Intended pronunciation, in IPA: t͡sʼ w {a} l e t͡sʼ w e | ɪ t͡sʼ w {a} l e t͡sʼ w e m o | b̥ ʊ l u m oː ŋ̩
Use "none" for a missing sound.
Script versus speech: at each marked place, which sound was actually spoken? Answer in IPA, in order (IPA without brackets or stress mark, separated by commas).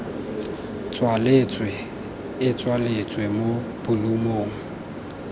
a, a